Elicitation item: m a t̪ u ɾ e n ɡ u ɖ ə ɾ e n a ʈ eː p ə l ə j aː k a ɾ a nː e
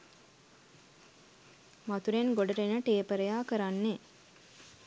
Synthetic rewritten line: m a t̪ u ɾ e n ɡ o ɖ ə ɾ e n ə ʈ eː p ə ɾ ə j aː k ə ɾ a nː e